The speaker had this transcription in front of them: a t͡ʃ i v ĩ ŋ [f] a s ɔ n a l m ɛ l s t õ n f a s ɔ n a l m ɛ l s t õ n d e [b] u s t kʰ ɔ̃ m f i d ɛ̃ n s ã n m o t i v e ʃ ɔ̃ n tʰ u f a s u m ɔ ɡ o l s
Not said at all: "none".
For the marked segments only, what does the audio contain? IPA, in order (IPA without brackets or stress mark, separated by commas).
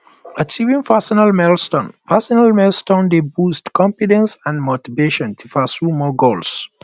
f, b